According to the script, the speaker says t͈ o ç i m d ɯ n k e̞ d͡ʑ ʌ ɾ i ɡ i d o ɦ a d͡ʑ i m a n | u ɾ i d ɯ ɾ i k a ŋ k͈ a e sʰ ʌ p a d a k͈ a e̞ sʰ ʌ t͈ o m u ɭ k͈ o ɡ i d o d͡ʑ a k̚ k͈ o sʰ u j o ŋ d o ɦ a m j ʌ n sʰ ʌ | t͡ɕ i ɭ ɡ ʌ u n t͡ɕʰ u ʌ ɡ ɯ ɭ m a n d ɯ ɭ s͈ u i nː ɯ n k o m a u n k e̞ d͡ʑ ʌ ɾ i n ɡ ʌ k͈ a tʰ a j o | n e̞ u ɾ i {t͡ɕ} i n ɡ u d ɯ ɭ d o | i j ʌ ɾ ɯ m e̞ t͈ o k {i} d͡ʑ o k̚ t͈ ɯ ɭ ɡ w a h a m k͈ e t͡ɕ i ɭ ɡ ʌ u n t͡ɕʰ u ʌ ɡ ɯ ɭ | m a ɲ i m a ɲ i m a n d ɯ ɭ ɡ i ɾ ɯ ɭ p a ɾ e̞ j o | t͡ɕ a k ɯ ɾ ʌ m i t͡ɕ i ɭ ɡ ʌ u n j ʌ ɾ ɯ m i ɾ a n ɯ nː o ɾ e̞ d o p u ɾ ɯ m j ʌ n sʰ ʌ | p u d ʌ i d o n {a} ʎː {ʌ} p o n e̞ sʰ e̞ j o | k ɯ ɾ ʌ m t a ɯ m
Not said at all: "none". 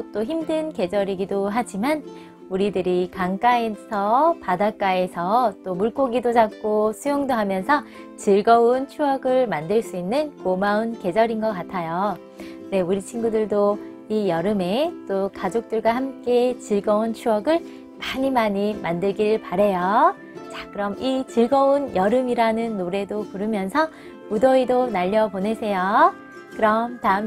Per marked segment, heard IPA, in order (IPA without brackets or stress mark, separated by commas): t͡ɕʰ, a, a, ʌ